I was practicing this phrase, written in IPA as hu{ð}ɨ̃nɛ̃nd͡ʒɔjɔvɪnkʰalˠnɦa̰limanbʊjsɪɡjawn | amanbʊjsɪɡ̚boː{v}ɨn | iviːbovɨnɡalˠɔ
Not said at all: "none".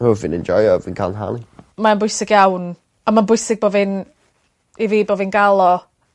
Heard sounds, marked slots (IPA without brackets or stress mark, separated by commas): v, v